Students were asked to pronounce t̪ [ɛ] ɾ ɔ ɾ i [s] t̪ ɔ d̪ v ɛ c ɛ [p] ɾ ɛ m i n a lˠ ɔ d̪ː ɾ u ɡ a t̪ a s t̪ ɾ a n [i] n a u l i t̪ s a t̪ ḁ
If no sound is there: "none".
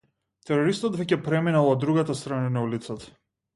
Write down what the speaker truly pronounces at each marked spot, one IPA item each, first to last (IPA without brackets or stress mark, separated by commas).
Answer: ɛ, s, p, a